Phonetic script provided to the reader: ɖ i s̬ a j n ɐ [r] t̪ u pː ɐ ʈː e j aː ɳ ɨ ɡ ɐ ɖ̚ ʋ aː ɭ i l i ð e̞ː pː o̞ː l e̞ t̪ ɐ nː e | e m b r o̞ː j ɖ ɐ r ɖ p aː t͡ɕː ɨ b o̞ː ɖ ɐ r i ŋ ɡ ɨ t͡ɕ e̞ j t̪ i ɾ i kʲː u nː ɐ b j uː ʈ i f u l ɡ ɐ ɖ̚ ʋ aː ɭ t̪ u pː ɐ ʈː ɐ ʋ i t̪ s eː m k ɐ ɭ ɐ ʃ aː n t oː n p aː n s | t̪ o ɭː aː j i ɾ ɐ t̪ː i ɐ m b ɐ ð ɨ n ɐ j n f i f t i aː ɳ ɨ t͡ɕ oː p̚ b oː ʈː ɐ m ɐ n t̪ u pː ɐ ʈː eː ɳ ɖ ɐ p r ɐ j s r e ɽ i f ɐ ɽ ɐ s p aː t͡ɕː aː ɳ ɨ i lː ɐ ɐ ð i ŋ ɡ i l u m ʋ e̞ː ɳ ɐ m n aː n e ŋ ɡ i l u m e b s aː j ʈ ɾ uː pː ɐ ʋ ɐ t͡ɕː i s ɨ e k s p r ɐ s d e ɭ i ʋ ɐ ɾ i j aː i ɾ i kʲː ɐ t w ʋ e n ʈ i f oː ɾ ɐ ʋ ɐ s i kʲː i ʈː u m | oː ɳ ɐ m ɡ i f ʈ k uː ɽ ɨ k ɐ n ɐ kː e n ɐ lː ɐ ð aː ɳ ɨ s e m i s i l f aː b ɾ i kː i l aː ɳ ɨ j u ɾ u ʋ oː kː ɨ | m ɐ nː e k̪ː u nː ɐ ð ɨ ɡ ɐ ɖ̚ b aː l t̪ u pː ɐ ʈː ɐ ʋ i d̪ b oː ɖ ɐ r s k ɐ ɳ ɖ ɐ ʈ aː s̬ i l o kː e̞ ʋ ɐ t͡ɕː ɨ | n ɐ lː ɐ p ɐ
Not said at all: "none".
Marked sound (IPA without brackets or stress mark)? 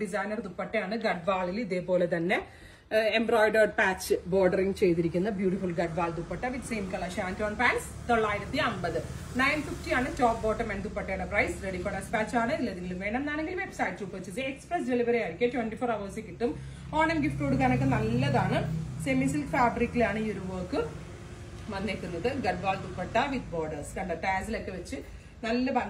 r